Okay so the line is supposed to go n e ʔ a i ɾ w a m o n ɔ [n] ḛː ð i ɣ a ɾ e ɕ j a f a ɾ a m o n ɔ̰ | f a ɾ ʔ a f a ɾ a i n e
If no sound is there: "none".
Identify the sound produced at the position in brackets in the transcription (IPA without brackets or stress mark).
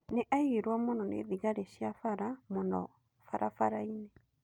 n